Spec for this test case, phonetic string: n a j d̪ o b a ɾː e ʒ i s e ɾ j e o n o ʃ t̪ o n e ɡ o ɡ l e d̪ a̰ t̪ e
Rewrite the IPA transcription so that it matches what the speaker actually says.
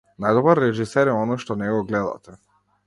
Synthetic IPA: n a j d̪ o b a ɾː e ʒ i s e ɾ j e o n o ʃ t̪ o n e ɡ o ɡ l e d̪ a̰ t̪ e